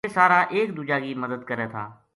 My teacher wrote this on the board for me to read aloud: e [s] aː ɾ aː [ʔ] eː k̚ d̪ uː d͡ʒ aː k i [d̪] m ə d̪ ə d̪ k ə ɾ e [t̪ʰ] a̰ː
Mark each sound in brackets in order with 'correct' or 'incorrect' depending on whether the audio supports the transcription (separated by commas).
correct, correct, incorrect, correct